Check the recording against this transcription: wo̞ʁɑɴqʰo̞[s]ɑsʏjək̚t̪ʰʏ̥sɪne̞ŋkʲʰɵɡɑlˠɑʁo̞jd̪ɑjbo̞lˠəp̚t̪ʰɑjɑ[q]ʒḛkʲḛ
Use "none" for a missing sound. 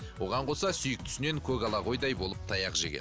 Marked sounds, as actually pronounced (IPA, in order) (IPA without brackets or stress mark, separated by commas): s, q